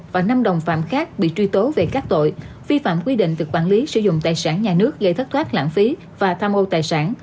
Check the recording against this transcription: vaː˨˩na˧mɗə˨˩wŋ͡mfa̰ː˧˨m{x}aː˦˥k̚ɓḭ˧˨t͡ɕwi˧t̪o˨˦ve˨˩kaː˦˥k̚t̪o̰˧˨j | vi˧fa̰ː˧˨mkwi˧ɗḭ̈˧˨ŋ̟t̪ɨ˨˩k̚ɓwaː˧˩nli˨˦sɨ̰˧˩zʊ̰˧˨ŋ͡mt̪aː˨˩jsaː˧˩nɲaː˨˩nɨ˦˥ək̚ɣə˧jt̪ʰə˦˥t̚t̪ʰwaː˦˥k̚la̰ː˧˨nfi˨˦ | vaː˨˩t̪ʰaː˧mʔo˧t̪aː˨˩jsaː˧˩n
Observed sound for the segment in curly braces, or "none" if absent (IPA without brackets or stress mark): x